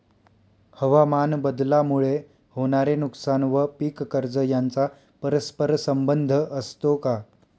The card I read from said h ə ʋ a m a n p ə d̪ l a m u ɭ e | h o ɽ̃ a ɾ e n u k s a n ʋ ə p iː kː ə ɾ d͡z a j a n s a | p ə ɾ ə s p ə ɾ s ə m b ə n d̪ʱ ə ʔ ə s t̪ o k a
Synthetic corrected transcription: h ə ʋ a m a n b ə d̪ l a m u ɭ e | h o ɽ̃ a ɾ e n u k s a n ʋ ə p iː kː ə ɾ d͡z ə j a n t͡s a | p ə ɾ ə s p ə ɾ s ə m b ə n d̪ʱ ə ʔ ə s t̪ o k a

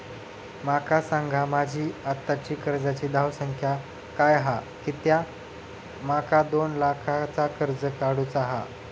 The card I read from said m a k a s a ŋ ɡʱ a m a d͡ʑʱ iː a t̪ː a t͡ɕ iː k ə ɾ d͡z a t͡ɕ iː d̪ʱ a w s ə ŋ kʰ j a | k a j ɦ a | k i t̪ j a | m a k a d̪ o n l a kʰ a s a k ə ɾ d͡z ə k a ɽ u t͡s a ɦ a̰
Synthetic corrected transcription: m a k a s a ŋ ɡʱ a m a d͡ʑʱ iː a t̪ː a t͡ɕ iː k ə ɾ d͡z a t͡ɕ iː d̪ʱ a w s ə ŋ kʰ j a | k a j ɦ a | k i t̪ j a | m a k a d̪ o n l a kʰ a t͡s a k ə ɾ d͡z ə k a ɽ u t͡s a ɦ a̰

